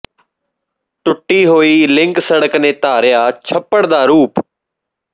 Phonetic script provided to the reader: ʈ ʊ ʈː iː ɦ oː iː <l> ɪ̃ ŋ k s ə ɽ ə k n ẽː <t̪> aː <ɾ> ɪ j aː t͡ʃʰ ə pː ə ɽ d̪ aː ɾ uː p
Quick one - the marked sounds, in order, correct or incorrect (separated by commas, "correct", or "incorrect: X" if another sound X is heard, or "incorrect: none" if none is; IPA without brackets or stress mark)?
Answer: correct, correct, correct